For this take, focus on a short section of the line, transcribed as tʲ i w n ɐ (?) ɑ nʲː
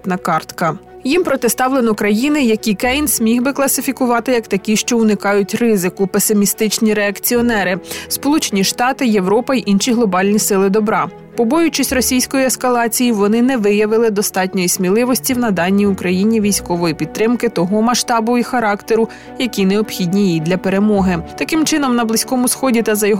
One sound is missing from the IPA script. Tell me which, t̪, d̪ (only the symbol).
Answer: d̪